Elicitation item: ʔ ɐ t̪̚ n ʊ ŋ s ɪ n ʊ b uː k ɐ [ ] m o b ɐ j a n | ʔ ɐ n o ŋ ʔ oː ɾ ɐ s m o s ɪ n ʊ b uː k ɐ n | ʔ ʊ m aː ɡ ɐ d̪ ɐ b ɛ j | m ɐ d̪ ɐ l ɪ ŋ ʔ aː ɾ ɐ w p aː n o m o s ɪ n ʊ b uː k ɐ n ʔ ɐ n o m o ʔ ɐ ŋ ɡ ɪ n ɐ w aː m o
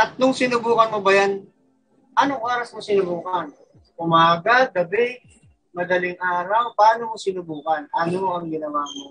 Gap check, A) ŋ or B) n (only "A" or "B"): B